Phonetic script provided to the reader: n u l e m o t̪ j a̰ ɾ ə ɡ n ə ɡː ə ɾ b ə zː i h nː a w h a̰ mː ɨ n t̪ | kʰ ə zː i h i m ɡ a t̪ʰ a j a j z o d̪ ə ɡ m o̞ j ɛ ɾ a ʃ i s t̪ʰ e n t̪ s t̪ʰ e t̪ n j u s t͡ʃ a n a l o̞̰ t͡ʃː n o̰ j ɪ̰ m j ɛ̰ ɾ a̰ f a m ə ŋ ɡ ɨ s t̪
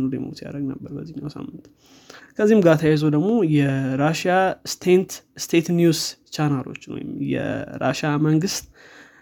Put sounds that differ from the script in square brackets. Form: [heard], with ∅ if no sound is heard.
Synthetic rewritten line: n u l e m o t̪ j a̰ ɾ ə ɡ n ə [bː] ə ɾ b ə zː i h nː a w [s] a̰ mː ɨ n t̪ | kʰ ə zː i h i m ɡ a t̪ʰ a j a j z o d̪ ə ɡ m o̞ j ɛ ɾ a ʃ [a] s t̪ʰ e n t̪ s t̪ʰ e t̪ n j u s t͡ʃ a n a l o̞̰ t͡ʃː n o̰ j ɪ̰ m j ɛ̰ ɾ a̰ [ʃ] a m ə ŋ ɡ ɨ s t̪